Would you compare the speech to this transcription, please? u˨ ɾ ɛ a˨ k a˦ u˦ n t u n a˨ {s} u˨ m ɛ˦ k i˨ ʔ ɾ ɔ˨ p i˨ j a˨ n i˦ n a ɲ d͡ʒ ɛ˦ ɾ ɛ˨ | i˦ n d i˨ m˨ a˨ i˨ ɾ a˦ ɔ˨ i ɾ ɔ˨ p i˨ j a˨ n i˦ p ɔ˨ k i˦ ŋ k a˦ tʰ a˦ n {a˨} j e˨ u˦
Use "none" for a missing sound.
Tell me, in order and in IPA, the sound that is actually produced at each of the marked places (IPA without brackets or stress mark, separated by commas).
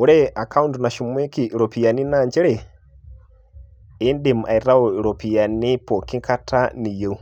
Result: ʃ, i˨